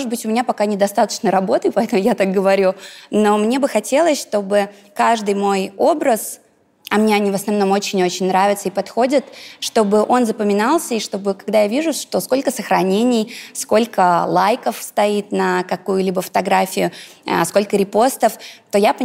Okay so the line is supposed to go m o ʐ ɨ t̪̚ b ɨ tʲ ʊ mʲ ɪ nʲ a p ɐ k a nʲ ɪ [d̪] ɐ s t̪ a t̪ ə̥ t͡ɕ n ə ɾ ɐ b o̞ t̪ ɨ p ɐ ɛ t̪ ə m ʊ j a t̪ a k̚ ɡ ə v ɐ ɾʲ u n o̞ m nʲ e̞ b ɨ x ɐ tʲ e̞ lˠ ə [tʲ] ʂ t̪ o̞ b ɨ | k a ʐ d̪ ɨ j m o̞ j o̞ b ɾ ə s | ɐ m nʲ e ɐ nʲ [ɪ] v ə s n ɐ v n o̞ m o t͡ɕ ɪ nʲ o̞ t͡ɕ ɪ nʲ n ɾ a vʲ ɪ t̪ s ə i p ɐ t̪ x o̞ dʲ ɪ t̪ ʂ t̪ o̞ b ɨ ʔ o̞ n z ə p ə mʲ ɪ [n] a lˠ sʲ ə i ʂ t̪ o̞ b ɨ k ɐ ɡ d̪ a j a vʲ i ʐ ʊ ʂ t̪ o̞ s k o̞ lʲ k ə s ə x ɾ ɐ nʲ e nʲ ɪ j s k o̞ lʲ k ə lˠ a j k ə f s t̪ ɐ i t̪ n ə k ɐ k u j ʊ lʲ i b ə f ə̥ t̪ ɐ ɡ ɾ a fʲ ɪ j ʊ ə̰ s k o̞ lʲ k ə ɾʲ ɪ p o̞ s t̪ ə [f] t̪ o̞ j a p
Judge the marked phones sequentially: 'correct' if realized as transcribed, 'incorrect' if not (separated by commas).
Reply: correct, incorrect, incorrect, correct, correct